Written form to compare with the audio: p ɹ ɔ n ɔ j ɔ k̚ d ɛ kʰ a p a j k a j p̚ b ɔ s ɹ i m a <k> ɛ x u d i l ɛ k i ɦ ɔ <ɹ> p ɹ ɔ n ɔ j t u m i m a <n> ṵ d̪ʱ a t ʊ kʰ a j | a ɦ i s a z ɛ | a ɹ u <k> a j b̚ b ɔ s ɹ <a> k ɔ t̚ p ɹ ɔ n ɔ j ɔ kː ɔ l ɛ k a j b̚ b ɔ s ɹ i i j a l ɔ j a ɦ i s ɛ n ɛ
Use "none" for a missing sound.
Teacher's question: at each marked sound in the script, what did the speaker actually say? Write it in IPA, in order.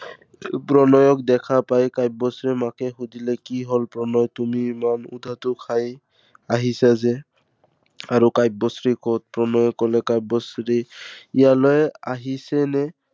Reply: k, l, n, k, i

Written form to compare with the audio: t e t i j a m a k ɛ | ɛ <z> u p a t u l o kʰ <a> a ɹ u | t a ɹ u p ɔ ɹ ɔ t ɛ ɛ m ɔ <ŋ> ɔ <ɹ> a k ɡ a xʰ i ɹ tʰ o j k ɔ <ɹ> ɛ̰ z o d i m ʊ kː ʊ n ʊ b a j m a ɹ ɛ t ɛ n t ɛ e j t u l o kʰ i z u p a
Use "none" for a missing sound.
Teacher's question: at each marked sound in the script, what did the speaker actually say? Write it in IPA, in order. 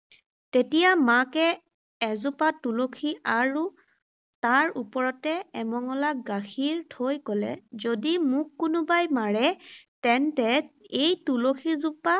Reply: z, i, ŋ, l, l

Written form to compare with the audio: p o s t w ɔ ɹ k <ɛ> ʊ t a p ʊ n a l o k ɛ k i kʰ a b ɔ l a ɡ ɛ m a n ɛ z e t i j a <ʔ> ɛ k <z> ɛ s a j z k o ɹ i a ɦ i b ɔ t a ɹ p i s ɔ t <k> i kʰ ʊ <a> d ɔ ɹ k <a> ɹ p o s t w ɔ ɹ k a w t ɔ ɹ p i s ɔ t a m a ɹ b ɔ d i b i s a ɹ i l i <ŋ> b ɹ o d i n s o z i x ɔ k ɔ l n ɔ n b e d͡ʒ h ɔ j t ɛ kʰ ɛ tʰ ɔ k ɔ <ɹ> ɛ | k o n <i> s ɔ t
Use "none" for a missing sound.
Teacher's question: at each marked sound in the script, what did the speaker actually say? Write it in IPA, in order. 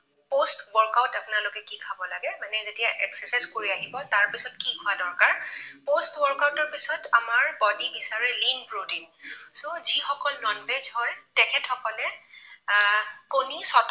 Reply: a, ʔ, s, k, a, a, n, l, i

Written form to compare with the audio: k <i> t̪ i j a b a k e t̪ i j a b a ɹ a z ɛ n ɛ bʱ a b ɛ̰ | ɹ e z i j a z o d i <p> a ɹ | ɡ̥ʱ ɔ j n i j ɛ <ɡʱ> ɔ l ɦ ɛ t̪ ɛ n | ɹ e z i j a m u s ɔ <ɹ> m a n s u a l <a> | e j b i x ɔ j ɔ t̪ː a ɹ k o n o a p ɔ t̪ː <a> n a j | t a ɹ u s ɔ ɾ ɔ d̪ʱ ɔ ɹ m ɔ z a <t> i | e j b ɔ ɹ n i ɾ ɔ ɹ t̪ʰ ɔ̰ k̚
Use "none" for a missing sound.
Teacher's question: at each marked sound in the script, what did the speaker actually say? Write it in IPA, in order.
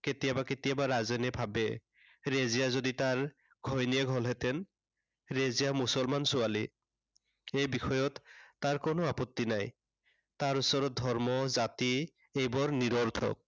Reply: e, t, ɡʱ, l, i, i, t

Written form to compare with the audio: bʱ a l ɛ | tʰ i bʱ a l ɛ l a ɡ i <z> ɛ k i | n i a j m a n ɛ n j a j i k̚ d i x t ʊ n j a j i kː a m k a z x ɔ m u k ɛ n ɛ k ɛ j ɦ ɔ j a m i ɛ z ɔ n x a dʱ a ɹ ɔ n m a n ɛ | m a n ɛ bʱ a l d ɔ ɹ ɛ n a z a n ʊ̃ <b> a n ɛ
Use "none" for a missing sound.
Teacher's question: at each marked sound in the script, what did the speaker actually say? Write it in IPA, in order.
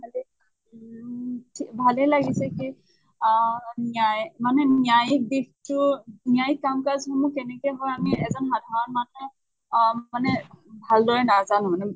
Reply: s, m

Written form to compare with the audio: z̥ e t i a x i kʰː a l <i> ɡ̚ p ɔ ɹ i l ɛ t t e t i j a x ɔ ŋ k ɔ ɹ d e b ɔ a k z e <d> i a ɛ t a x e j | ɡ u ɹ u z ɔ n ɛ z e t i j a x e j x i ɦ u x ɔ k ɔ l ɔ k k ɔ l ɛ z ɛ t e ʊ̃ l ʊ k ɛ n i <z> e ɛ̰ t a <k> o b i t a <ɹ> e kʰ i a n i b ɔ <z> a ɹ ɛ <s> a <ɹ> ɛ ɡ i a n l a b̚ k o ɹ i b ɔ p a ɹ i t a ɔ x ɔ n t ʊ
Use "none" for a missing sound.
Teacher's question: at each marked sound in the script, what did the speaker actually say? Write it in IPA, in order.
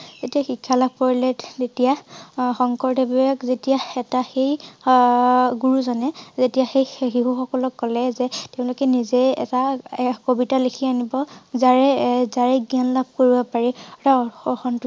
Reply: a, t, z, k, l, z, z, ɹ

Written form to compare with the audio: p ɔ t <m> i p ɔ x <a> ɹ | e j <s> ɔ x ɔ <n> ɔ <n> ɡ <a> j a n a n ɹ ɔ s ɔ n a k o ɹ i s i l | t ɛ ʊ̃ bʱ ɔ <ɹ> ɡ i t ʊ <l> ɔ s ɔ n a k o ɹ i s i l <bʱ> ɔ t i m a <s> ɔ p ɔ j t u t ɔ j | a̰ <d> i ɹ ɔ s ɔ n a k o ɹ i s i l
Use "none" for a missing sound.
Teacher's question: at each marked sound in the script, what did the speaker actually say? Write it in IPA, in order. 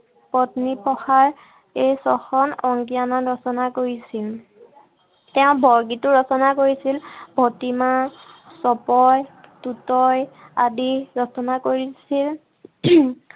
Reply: n, a, s, n, ŋ, i, ɹ, ɹ, bʱ, s, d

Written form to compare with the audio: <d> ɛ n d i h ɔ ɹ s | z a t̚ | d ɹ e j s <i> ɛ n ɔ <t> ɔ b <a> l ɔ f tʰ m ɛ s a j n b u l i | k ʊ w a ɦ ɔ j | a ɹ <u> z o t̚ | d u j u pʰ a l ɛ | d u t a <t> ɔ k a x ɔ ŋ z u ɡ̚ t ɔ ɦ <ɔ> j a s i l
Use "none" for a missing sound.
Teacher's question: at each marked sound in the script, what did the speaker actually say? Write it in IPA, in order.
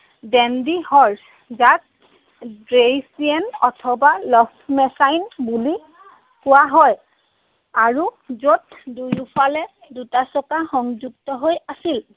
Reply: d, i, tʰ, a, u, s, o

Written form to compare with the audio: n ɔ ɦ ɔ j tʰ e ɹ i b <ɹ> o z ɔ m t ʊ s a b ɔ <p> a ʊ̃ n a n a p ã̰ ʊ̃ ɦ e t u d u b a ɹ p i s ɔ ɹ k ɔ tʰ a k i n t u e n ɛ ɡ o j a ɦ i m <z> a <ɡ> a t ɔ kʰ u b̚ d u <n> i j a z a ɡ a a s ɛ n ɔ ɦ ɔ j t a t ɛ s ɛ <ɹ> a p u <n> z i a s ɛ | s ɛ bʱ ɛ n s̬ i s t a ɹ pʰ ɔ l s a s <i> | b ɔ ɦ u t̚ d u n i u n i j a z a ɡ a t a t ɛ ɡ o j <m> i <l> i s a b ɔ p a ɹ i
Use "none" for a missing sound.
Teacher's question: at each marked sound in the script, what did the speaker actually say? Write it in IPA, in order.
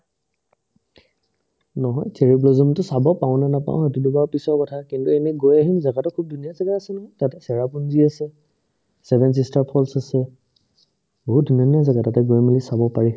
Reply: l, p, z, ɡ, n, ɹ, n, ɛ, m, l

